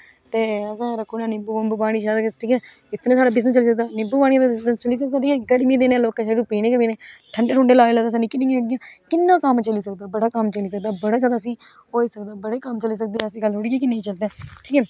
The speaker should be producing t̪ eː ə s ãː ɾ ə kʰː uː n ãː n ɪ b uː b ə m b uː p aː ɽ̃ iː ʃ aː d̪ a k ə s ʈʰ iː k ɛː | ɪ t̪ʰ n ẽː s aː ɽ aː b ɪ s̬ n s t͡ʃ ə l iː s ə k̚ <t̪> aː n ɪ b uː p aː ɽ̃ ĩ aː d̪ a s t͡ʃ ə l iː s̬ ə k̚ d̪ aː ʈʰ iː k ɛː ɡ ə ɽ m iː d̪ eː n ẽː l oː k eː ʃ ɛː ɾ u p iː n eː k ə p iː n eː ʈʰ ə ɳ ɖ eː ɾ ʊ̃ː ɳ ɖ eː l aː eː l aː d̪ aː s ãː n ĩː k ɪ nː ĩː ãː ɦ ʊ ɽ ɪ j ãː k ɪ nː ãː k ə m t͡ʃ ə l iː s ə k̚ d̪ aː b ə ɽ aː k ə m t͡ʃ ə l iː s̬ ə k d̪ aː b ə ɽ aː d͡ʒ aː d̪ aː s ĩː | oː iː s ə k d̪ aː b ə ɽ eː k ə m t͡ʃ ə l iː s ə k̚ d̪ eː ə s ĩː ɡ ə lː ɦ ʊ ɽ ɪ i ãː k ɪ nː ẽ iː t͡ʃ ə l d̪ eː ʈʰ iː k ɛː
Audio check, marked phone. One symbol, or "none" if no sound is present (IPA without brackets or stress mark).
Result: d̪